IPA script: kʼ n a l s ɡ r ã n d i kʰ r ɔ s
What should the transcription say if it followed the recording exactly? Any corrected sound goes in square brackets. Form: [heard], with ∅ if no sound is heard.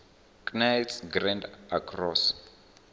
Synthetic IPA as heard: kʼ n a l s ɡ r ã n d [a] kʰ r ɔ s